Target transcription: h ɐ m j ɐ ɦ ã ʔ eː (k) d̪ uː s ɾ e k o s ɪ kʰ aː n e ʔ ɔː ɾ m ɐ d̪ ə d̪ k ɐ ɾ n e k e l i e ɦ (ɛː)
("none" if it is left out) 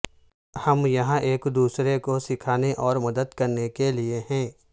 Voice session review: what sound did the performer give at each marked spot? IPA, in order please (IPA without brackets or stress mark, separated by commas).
k, ɛ̃ː